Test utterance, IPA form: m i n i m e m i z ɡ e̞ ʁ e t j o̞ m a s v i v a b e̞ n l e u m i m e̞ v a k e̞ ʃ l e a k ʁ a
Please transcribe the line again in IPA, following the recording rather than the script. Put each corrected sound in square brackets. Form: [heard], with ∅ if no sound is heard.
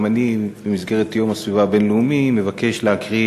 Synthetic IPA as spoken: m [a] n i [b] e m i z ɡ e̞ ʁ e t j o̞ m a s v i v a b e̞ n l e u m i m e̞ v a k e̞ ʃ l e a k ʁ [i]